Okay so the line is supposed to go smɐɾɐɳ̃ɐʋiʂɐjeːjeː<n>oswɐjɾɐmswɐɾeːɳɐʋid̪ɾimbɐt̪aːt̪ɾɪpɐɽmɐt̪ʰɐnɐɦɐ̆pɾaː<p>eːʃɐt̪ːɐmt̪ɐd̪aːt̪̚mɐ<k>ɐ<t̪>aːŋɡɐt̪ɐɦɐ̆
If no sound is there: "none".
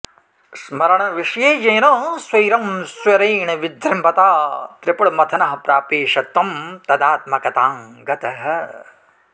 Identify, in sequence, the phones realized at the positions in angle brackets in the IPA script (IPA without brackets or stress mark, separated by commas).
n, p, k, t̪